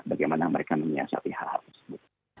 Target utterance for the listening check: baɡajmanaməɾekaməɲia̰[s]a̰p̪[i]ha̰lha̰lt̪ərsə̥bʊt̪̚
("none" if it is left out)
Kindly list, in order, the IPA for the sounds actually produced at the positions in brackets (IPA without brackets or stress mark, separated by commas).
s, i